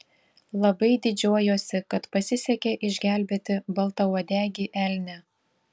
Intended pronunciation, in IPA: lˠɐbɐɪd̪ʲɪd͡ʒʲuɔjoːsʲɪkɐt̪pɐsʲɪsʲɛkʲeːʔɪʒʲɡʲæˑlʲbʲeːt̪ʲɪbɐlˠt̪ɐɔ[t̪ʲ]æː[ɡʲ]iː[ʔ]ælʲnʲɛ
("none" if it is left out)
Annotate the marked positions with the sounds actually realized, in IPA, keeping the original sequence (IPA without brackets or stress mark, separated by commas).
d̪ʲ, ɡʲ, ʔ